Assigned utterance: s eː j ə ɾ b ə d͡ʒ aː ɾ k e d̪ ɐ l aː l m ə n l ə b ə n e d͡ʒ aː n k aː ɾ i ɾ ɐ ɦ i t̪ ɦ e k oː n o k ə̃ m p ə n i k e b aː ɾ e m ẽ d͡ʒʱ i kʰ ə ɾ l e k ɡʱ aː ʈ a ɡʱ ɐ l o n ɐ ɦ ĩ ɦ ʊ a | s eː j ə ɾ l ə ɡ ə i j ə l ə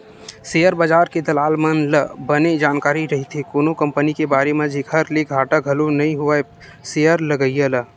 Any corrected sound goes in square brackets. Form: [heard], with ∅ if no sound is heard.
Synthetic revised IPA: s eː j ə ɾ b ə d͡ʒ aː ɾ k e d̪ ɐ l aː l m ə n l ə b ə n e d͡ʒ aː n k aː ɾ i ɾ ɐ ɦ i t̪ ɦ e k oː n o k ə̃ m p ə n i k e b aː ɾ e m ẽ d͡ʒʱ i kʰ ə ɾ l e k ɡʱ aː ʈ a ɡʱ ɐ l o n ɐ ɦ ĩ ɦ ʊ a | s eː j ə ɾ l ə ɡ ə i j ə l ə